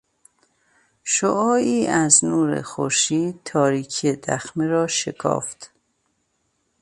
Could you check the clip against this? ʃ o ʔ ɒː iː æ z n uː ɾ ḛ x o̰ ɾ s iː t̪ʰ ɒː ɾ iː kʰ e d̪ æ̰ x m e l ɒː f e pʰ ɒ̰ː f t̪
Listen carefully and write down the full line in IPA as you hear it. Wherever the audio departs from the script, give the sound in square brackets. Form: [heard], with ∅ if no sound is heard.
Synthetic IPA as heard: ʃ o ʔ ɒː iː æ z n uː ɾ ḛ x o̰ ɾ [ʃ] iː t̪ʰ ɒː ɾ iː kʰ e d̪ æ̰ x m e [ɾ] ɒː [ʃ] e [kʰ] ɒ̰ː f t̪